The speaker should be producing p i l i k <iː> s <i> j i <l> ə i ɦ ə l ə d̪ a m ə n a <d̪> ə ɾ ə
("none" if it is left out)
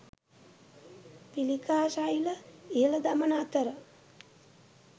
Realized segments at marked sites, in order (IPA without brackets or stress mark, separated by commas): aː, a, l, t̪